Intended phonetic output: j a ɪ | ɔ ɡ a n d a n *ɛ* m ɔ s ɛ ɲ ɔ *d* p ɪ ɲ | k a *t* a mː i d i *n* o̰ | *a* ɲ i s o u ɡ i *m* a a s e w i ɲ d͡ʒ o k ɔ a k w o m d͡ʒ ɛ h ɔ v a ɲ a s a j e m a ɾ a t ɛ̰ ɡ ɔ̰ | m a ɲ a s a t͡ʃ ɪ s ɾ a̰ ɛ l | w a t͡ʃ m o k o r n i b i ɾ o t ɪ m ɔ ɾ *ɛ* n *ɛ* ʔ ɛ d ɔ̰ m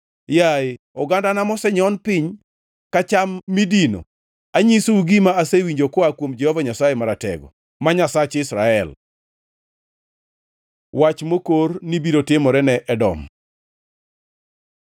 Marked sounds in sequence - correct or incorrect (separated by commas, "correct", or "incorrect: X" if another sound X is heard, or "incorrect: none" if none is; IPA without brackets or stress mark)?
incorrect: a, incorrect: n, incorrect: t͡ʃ, correct, correct, correct, correct, correct